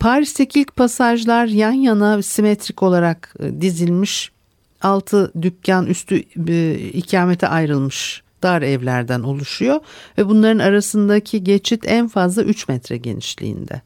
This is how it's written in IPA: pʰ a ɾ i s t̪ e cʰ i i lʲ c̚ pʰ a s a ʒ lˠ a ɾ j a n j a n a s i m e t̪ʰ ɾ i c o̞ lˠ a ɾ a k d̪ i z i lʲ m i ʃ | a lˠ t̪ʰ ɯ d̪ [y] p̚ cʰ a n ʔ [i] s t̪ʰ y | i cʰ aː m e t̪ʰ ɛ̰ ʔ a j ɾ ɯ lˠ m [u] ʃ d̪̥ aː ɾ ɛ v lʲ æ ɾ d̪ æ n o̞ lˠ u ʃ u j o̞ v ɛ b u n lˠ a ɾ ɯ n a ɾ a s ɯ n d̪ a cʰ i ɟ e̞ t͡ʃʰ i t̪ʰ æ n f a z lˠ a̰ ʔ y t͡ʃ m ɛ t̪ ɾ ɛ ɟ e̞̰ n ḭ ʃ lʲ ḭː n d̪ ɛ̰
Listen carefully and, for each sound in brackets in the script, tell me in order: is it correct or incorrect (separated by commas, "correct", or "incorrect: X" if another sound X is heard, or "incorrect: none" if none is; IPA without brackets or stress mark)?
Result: correct, incorrect: y, incorrect: ɯ